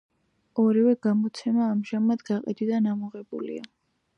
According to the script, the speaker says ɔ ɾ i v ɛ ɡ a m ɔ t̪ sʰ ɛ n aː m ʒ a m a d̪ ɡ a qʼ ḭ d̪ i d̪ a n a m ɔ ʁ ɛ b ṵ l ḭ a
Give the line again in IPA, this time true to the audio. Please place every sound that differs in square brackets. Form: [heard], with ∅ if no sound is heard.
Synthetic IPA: ɔ ɾ i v ɛ ɡ a m ɔ t̪ sʰ ɛ [m] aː m ʒ a m a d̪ ɡ a qʼ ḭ d̪ i d̪ a n a m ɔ ʁ ɛ b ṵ l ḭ a